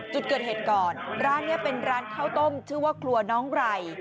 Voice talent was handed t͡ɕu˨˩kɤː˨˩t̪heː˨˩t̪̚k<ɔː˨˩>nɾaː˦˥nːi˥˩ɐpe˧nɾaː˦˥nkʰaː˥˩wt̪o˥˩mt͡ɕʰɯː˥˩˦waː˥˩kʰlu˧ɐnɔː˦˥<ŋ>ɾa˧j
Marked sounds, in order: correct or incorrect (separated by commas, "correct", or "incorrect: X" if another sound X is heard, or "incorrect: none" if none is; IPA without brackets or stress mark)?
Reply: correct, correct